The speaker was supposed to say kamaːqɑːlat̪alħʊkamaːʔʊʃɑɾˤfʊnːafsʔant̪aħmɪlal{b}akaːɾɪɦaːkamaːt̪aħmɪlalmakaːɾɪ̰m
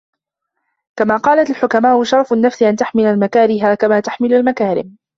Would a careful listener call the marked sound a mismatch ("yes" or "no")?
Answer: yes